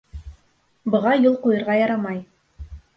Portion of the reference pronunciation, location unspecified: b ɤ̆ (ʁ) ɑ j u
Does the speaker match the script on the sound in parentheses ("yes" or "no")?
yes